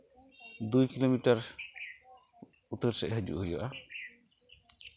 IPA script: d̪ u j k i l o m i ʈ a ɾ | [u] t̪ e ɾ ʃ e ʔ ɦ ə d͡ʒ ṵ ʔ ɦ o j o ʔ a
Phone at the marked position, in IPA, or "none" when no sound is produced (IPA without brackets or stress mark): u